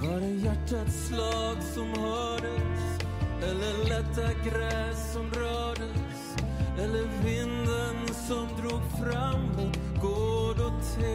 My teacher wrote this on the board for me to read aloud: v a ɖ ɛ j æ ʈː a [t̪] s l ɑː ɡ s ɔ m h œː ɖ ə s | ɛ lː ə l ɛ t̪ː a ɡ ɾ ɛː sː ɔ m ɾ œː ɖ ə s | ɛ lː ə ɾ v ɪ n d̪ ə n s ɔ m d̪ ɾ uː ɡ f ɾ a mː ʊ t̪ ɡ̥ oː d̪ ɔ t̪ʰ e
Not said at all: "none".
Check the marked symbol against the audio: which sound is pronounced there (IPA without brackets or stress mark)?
t̪